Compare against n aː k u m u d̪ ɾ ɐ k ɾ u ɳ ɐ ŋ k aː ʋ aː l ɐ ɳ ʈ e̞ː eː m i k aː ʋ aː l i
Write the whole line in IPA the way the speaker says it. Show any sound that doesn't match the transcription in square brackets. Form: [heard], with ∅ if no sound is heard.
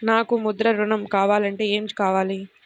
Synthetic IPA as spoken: n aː k u m u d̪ ɾ ɐ [∅] ɾ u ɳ ɐ [m] k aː ʋ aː l ɐ ɳ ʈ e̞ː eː m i k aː ʋ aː l i